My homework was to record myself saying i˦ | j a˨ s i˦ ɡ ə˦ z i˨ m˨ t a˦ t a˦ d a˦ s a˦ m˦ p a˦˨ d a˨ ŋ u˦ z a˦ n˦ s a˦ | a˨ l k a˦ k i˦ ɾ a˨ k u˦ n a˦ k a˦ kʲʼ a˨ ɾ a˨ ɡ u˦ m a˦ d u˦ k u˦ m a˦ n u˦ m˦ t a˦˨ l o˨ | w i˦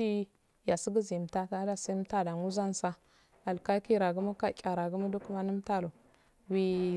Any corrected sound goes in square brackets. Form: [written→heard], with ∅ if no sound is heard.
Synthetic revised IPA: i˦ | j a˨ s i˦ ɡ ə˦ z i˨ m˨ t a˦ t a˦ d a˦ s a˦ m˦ [p→t] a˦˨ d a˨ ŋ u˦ z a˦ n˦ s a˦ | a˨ l k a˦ k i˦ ɾ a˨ [k→ɡ] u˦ [n→m] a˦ k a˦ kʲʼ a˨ ɾ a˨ ɡ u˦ m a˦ d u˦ k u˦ m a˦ n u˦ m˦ t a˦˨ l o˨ | w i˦